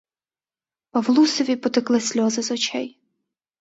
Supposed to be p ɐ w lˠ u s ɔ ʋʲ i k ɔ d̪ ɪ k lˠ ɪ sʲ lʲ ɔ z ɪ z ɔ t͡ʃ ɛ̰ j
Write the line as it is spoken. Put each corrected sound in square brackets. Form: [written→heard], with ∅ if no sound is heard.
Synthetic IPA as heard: p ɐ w lˠ u s ɔ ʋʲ i [k→p] ɔ [d̪→t̪] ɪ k lˠ ɪ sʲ lʲ ɔ z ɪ z ɔ t͡ʃ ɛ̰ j